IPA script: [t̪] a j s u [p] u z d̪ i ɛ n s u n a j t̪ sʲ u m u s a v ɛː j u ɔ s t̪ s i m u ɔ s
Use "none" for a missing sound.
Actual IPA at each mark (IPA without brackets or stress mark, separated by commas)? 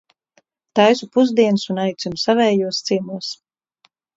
t̪, p